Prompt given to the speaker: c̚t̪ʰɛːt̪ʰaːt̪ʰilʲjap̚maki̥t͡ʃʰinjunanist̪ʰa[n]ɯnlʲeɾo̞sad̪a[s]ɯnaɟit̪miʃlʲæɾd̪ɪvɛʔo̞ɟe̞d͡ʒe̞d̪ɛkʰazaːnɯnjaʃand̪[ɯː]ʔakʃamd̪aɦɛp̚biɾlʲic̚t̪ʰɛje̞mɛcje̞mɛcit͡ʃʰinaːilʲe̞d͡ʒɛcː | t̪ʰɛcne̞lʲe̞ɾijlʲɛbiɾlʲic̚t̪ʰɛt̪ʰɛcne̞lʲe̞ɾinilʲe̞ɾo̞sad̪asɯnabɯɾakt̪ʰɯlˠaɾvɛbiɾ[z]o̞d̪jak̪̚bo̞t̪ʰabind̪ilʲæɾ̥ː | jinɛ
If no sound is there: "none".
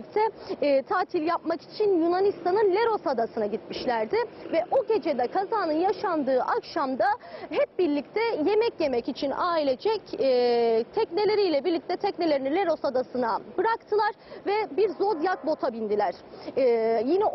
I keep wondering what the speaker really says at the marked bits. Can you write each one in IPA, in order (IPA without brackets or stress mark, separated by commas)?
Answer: n, s, ɯː, z